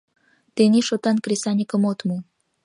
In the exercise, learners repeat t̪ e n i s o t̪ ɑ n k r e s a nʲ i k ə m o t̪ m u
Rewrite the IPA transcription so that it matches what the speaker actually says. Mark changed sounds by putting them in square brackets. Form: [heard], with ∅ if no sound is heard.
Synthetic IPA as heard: t̪ e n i [ʃ] o t̪ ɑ n k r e s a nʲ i k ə m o t̪ m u